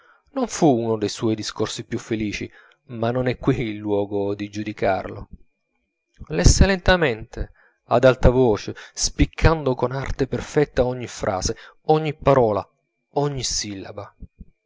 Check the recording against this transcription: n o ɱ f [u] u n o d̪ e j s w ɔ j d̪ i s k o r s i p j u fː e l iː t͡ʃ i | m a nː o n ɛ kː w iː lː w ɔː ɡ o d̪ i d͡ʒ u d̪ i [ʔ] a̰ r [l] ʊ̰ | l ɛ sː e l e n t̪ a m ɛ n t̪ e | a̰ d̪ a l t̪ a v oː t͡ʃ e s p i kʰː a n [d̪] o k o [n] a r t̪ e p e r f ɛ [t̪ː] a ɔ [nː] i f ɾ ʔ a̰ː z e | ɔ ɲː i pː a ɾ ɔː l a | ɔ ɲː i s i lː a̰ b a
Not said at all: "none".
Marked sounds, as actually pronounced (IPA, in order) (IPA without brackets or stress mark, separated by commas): u, k, l, d̪, n, t̪ː, ɲː